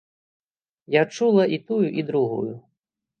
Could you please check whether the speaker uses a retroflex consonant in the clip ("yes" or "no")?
yes